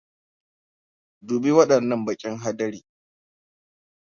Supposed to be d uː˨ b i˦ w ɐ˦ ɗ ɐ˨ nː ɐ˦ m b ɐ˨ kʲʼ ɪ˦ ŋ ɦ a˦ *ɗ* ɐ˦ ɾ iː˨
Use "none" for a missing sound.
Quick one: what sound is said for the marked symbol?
d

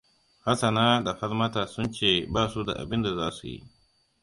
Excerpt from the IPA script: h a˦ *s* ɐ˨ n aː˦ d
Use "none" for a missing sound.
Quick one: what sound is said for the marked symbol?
s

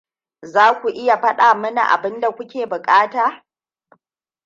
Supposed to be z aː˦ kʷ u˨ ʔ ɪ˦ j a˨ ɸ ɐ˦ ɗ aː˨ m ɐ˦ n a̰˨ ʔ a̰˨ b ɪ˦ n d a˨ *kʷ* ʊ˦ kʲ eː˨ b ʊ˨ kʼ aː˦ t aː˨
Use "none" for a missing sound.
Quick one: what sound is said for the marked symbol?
kʷ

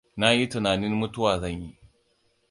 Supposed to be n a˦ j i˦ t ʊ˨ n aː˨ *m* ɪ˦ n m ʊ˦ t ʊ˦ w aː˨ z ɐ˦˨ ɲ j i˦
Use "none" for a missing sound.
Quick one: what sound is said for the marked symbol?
n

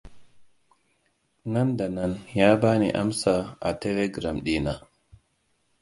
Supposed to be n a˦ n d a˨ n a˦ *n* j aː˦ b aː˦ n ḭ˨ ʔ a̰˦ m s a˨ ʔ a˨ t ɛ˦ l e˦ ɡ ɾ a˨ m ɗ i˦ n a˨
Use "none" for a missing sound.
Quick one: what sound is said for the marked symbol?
n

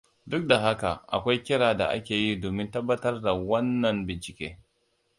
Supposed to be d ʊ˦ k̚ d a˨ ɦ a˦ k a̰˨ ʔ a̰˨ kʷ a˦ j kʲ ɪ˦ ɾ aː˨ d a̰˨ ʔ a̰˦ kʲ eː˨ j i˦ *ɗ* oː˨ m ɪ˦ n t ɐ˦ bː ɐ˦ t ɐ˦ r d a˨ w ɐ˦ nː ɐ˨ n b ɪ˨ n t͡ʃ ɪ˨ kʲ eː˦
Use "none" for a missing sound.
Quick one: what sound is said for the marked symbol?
d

